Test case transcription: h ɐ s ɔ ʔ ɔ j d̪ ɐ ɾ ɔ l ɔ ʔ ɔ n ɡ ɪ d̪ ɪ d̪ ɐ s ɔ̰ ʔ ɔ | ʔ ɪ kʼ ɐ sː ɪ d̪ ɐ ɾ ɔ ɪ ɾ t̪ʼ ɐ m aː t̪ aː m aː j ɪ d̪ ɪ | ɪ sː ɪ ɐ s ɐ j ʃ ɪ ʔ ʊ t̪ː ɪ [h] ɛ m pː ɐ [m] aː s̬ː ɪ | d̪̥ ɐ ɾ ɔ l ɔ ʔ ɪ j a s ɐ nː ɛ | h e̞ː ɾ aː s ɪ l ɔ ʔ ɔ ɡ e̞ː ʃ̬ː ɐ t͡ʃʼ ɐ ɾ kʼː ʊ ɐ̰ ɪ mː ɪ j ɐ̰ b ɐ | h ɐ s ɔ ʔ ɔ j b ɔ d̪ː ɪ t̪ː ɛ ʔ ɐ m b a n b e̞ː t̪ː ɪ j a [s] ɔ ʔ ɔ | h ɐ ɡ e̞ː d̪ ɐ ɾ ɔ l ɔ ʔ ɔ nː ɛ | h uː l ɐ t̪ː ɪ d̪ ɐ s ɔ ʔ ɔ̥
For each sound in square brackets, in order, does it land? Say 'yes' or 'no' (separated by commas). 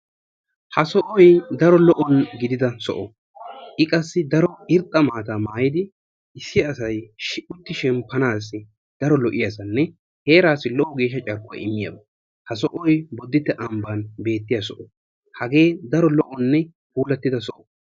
no, no, yes